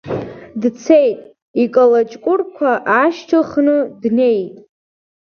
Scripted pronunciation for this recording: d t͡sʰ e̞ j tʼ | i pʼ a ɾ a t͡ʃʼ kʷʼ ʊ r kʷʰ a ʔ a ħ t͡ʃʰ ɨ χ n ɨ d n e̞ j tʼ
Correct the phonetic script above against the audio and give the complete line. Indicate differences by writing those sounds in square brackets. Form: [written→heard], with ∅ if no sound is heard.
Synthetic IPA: d t͡sʰ e̞ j tʼ | i [pʼ→kʼ] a [ɾ→l] a t͡ʃʼ kʷʼ ʊ r kʷʰ a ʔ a [ħ→ʃ] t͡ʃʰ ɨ χ n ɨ d n e̞ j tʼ